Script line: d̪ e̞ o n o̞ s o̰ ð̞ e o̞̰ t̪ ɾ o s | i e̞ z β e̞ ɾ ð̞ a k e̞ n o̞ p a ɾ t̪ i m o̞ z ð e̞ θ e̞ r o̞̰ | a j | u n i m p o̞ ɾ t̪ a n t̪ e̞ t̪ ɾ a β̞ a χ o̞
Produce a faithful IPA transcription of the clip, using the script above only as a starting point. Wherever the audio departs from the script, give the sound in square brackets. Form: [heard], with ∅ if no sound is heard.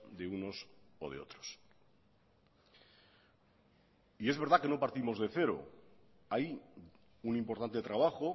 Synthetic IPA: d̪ e̞ [u] n o̞ s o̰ ð̞ e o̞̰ t̪ ɾ o s | i e̞ z β e̞ ɾ ð̞ a k e̞ n o̞ p a ɾ t̪ i m o̞ z ð e̞ θ e̞ [ɾ] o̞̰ | a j | u n i m p o̞ ɾ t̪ a n t̪ e̞ t̪ ɾ a β̞ a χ o̞